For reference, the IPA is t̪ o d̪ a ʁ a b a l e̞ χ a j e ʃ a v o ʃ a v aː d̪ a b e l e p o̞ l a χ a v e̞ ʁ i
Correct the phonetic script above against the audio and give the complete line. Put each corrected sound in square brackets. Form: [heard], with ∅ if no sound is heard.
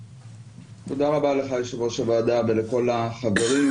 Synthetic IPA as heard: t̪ o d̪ a ʁ a b a l e̞ χ a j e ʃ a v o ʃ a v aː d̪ a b e l e [k] o̞ l a χ a v e̞ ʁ i